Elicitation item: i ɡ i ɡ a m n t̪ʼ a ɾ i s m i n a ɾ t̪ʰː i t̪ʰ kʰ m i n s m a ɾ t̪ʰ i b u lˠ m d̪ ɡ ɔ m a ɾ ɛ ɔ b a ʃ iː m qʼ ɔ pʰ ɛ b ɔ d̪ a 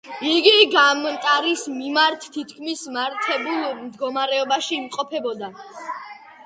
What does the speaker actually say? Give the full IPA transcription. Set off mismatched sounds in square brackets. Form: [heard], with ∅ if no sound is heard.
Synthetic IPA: i ɡ i ɡ a m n t̪ʼ a ɾ i s m i [m] a ɾ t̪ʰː i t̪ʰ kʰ m i [∅] s m a ɾ t̪ʰ [ɛ] b u lˠ m d̪ ɡ ɔ m a ɾ ɛ ɔ b a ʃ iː m qʼ ɔ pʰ ɛ b ɔ d̪ a